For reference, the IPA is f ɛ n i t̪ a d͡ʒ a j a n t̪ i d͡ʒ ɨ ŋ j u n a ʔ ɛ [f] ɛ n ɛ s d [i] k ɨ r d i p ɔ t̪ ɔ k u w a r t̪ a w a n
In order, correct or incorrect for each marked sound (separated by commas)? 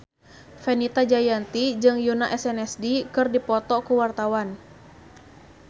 incorrect, correct